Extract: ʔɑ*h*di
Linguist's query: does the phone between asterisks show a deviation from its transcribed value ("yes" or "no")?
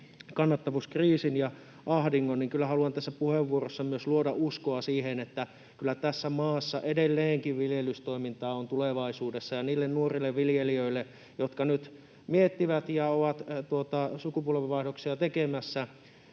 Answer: no